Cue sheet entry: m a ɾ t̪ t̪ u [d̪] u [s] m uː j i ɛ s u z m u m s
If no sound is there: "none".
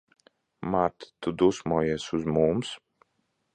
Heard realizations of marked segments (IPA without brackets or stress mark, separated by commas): d̪, s